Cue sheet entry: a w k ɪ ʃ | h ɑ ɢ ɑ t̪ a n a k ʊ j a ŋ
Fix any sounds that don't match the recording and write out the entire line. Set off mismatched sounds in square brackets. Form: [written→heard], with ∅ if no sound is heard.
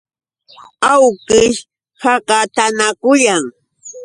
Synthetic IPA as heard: a w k ɪ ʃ | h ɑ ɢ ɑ t̪ a n a k ʊ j a ŋ